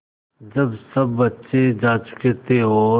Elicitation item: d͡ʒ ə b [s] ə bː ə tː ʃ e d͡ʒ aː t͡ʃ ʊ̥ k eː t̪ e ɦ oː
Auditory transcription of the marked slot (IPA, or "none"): s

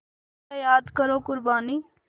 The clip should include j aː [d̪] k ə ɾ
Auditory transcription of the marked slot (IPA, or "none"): d̪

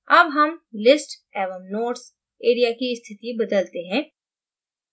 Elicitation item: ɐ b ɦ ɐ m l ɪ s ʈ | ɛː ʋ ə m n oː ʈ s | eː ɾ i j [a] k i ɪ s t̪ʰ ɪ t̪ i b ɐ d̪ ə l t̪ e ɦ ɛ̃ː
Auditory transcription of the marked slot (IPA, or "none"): a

